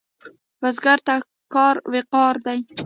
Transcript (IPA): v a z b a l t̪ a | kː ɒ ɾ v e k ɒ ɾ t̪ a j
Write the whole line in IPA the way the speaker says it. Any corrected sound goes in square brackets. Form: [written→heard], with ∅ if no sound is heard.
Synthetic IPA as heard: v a z [b→ɡ] a [l→ɾ] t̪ a | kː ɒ ɾ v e [k→q] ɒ ɾ [t̪→d̪] a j

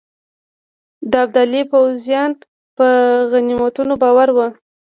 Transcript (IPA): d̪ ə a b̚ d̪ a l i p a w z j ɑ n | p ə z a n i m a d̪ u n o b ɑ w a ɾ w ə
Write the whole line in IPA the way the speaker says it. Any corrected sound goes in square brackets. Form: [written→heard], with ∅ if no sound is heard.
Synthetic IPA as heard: d̪ ə a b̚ d̪ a l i p a w z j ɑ n | p ə [z→ɣ] a n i m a [d̪→t̪] u n o b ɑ w a ɾ w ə

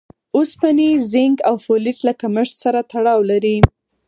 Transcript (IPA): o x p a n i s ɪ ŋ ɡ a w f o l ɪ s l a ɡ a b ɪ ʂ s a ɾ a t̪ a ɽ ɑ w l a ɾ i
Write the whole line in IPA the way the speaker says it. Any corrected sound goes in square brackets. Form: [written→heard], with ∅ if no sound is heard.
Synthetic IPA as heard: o [x→s] p a n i [s→z] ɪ ŋ ɡ a w f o l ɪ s l a [ɡ→k] a [b→m] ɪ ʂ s a ɾ a t̪ a ɽ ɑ w l a ɾ i

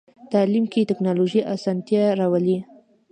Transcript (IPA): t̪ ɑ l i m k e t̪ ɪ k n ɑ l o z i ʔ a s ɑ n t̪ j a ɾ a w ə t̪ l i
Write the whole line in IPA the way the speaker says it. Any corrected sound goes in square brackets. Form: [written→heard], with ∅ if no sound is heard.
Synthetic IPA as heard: t̪ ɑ l i m k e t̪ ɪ k n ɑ l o [z→ʒ] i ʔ a s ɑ n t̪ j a ɾ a w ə [t̪→∅] l i

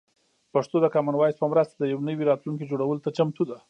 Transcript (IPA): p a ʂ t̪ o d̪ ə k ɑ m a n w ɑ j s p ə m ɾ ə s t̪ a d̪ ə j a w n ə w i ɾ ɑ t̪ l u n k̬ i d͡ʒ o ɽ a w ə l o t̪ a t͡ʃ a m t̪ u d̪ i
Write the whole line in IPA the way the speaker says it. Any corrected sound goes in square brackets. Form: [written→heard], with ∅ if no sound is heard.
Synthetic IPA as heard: p a ʂ t̪ o d̪ ə k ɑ m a n w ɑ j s p ə m ɾ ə s t̪ a d̪ ə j a w n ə w i ɾ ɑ t̪ l u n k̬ i d͡ʒ o ɽ a w ə l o t̪ a t͡ʃ a m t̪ u d̪ [i→a]

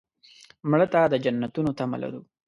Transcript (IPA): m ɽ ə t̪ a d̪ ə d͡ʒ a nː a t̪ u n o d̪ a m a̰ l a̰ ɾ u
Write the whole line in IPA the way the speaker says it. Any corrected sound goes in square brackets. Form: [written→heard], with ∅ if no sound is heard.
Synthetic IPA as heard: m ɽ ə t̪ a d̪ ə d͡ʒ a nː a t̪ u n o [d̪→t̪] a m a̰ l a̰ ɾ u

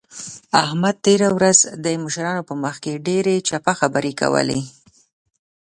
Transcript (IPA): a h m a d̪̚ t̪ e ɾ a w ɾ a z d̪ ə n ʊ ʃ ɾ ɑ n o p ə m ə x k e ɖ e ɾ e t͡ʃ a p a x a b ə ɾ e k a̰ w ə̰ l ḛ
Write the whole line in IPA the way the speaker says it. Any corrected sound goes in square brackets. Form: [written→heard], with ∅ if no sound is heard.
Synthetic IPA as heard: a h m a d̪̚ t̪ e ɾ a w ɾ a z d̪ ə [n→m] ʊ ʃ ɾ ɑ n o p ə m ə x k e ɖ e ɾ e t͡ʃ a p a x a b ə ɾ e k a̰ w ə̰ l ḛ

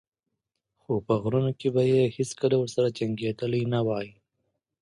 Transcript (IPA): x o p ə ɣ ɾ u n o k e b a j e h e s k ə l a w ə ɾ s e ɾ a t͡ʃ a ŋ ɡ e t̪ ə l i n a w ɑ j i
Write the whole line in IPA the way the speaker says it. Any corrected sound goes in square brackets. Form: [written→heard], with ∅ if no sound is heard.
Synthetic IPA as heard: x o p ə ɣ ɾ u n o k e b a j e h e s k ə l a w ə ɾ s [e→a] ɾ a t͡ʃ a ŋ ɡ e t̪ ə l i n a w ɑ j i

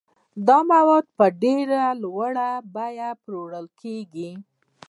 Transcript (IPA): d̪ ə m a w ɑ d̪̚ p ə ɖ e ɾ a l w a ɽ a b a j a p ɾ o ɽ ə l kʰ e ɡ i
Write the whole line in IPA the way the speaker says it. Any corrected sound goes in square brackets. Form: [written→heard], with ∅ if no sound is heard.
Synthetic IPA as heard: d̪ [ə→ɑ] m a w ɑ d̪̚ p ə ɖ e ɾ a l w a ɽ a b a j a p ɾ o ɽ ə l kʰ e ɡ i

